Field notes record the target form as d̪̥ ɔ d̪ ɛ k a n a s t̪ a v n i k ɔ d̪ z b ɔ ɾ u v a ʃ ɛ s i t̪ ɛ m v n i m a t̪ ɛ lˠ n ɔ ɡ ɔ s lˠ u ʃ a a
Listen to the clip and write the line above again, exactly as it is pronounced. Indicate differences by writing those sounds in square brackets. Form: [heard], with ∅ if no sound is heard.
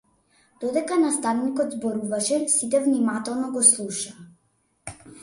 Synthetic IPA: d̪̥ ɔ d̪ ɛ k a n a s t̪ a v n i k ɔ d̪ z b ɔ ɾ u v a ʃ ɛ s i t̪ ɛ [∅] v n i m a t̪ ɛ lˠ n ɔ ɡ ɔ s lˠ u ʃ a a